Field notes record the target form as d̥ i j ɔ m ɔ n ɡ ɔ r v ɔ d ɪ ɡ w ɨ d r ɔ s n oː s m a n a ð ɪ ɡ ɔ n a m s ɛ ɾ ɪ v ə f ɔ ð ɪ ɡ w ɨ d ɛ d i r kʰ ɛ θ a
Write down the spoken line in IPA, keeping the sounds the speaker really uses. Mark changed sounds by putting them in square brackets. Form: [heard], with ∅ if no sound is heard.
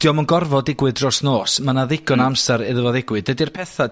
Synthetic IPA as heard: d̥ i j ɔ m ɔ n ɡ ɔ r v ɔ d ɪ ɡ w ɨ d r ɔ s n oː s m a n a ð ɪ ɡ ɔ n a m s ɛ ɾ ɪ [ð] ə [v] ɔ ð ɪ ɡ w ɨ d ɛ d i r [pʰ] ɛ θ a